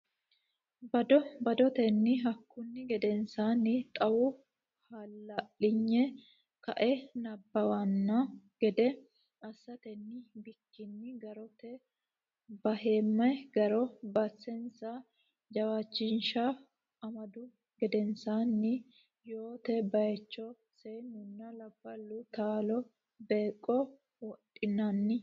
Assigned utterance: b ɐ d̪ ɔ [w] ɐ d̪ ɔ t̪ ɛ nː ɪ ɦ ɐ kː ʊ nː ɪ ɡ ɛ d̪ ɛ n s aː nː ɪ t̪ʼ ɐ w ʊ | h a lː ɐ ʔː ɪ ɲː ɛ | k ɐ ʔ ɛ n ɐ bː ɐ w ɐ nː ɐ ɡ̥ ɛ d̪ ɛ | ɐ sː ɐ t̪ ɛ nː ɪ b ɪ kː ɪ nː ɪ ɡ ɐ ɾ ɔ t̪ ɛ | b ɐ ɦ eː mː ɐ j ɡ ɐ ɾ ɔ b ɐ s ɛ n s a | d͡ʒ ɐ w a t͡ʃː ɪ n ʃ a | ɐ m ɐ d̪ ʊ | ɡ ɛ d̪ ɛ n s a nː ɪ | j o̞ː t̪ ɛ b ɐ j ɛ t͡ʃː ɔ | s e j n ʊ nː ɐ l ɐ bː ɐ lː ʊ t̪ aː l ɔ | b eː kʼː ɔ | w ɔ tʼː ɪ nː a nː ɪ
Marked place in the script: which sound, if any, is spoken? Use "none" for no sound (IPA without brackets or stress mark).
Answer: b